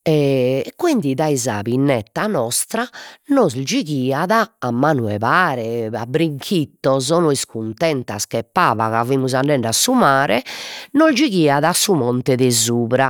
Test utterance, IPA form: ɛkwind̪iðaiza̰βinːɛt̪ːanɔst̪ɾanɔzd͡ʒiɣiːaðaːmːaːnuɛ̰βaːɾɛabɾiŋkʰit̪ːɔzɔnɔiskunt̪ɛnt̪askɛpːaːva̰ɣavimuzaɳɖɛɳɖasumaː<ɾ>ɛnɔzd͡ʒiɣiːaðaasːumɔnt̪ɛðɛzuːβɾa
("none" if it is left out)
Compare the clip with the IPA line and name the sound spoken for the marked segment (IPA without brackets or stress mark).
ɾ